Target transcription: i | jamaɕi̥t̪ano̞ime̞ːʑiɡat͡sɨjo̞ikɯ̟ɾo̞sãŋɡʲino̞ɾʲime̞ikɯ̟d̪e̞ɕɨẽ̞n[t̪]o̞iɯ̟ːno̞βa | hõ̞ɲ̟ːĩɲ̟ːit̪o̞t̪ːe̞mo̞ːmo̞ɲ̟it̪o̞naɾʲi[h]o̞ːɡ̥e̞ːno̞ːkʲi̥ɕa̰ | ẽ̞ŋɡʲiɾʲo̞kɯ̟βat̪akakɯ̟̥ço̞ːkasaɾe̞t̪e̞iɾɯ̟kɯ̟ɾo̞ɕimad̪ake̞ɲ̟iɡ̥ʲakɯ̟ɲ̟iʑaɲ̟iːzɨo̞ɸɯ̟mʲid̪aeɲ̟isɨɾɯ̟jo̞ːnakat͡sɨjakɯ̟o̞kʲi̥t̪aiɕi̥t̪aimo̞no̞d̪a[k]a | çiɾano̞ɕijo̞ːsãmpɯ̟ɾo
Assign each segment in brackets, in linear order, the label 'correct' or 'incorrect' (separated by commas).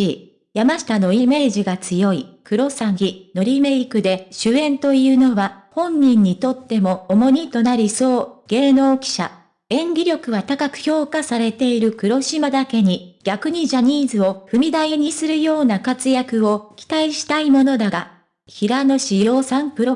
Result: correct, incorrect, incorrect